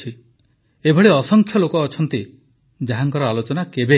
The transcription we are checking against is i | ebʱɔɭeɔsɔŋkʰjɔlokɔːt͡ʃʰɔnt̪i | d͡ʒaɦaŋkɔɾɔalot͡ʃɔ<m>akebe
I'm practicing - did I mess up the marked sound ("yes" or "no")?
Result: yes